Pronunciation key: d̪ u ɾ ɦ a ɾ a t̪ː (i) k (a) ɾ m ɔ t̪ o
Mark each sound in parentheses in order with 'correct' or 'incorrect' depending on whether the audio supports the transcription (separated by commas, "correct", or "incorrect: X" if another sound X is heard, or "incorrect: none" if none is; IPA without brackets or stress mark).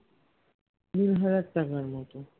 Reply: incorrect: a, correct